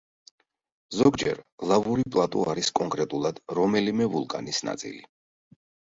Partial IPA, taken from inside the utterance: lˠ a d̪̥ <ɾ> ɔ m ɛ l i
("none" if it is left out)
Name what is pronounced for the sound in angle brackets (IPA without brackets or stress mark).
ɾ